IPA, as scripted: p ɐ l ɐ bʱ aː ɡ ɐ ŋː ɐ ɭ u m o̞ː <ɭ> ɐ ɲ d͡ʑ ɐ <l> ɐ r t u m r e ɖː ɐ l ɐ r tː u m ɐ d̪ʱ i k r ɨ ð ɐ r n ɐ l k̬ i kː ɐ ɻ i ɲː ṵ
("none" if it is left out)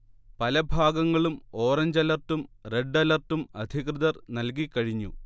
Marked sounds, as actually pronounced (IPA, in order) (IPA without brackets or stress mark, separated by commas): r, l